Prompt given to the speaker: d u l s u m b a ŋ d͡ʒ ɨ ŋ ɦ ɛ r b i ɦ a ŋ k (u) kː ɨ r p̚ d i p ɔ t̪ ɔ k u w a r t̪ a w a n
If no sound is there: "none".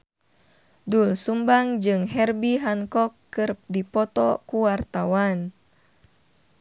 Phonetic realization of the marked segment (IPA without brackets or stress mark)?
ɔ